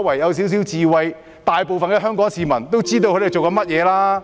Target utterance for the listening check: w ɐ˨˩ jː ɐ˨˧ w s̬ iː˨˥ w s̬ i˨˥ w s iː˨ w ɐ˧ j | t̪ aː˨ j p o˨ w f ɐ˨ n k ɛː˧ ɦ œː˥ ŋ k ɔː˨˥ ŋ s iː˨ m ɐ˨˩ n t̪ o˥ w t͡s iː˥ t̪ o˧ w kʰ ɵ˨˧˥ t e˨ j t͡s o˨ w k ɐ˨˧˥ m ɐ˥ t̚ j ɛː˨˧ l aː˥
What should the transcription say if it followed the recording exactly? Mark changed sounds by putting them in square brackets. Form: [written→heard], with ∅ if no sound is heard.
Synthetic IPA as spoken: w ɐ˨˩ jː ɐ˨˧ w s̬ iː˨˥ w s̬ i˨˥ w [s→t͡s] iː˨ w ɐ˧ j | t̪ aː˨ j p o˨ w f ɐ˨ n k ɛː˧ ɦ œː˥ ŋ k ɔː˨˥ ŋ s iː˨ m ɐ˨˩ n t̪ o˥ w t͡s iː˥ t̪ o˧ w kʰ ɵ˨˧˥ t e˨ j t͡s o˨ w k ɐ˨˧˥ m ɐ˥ t̚ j ɛː˨˧ l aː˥